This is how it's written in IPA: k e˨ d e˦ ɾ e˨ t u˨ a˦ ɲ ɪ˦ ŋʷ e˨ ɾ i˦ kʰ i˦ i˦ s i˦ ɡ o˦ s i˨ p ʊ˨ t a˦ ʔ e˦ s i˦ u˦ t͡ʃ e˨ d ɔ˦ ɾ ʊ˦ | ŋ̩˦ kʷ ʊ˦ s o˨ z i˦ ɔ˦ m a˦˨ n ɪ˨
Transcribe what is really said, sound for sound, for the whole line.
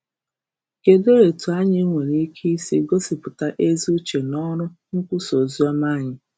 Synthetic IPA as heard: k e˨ d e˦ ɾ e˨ t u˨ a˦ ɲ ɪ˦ ŋʷ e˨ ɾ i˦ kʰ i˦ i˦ s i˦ ɡ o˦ s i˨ p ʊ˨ t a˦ ʔ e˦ z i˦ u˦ t͡ʃ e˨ n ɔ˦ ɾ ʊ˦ | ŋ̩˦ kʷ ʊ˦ s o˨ z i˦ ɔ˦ m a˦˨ ɲ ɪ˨